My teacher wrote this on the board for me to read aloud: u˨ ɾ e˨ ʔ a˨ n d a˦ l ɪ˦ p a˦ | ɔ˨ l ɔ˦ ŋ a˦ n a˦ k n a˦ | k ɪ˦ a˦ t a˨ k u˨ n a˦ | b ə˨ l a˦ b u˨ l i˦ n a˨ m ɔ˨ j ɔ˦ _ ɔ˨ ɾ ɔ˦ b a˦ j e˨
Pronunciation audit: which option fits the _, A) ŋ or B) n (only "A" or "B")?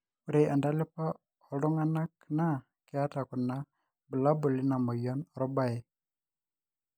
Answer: B